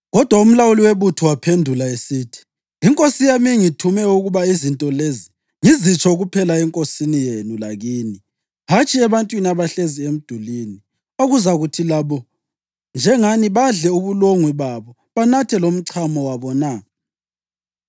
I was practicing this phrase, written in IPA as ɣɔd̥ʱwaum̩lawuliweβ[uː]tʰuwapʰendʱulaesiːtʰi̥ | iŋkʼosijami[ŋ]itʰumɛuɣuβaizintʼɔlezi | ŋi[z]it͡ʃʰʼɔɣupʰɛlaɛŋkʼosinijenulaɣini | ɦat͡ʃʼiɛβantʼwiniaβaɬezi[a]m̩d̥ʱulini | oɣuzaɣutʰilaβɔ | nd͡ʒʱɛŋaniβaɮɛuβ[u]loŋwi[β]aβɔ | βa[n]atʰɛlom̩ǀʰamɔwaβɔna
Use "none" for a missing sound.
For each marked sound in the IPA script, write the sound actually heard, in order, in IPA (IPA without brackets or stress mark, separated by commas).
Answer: u, ŋ, z, e, u, β, n